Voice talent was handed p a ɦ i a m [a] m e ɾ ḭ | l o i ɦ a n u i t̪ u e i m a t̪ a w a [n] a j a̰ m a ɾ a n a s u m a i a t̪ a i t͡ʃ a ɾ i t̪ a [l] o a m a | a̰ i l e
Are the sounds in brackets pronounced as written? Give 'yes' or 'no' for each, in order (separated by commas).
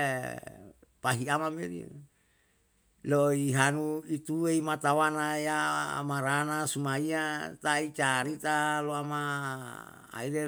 yes, yes, yes